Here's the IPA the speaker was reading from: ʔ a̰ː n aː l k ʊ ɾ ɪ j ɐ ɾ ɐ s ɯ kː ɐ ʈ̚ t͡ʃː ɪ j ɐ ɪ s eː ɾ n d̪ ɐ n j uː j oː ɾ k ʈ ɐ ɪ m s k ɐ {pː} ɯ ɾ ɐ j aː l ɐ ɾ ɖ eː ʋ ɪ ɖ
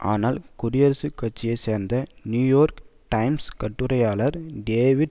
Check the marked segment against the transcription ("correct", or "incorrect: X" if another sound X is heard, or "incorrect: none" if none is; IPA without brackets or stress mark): incorrect: ʈː